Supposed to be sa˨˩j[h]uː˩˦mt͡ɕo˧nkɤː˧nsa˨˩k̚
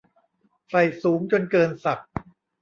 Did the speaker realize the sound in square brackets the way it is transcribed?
no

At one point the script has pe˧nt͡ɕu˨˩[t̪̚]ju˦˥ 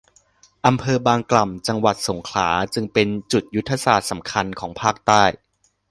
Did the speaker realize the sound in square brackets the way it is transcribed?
yes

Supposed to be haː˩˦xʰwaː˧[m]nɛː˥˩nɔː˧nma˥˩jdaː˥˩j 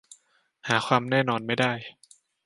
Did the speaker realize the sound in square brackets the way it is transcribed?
yes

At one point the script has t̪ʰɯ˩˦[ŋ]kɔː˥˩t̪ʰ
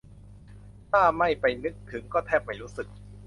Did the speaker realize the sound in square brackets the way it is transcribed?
yes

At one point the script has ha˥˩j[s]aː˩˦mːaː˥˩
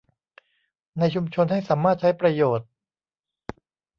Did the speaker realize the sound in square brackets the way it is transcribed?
yes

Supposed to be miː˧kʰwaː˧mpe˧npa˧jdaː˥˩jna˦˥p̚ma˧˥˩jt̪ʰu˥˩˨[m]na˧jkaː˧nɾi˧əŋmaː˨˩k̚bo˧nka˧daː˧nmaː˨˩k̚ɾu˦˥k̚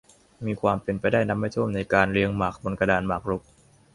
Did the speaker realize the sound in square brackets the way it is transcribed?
yes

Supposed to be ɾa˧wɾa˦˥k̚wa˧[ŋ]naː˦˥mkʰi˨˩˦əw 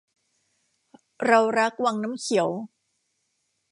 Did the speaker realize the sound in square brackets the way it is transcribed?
yes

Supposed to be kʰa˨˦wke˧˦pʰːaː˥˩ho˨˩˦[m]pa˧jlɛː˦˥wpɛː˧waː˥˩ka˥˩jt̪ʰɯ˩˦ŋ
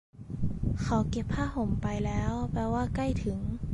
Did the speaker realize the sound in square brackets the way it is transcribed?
yes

